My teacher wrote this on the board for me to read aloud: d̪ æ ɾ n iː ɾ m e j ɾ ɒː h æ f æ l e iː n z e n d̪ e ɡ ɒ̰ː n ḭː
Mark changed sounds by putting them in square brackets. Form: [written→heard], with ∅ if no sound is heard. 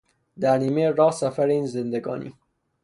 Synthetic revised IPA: d̪ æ ɾ n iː [ɾ→∅] m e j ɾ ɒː [h→s] æ f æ [l→ɾ] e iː n z e n d̪ e ɡ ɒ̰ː n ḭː

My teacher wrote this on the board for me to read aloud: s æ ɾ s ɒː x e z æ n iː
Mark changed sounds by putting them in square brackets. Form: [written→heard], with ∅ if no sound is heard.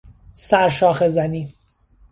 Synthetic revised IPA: s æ ɾ [s→ʃ] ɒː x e z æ n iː

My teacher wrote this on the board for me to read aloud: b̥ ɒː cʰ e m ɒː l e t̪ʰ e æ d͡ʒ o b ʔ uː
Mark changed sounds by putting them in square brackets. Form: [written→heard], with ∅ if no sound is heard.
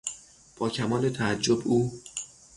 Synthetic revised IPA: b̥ ɒː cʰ [e→æ] m ɒː l e t̪ʰ [e→æ] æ [d͡ʒ→d͡ʒː] o b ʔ uː

